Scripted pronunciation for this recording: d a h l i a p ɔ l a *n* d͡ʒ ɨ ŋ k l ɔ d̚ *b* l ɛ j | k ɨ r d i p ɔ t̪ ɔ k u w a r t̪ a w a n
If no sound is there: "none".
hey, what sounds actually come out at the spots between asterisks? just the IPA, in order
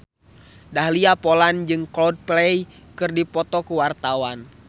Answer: n, p

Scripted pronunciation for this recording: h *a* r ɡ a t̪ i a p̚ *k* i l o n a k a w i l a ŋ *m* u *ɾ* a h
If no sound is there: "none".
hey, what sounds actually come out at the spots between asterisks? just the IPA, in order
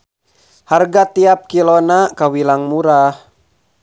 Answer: a, k, m, ɾ

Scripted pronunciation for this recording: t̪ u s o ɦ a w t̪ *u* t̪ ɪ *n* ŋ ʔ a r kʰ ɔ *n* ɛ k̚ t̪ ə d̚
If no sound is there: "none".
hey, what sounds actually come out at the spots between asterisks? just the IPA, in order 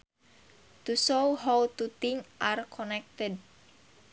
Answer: u, none, n

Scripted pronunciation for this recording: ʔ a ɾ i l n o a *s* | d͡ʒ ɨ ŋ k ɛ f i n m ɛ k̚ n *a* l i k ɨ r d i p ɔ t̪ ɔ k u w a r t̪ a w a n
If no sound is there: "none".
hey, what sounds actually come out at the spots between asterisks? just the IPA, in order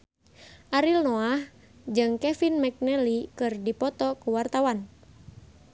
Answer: h, ɛ

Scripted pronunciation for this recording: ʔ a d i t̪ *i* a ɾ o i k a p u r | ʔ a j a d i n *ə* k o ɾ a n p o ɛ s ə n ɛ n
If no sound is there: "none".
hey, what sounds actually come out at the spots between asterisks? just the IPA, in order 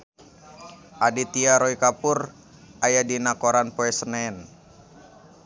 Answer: i, a

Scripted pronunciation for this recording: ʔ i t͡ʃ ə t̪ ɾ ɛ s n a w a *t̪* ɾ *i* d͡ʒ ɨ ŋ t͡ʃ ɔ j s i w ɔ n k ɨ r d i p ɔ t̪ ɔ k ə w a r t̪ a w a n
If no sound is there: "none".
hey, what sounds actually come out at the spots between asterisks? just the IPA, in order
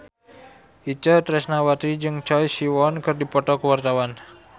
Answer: t̪, i

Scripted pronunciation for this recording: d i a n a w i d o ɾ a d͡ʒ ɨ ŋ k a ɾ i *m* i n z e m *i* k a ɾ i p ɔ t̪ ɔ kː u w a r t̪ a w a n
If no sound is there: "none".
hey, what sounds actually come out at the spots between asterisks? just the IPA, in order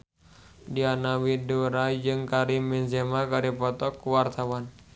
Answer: m, a

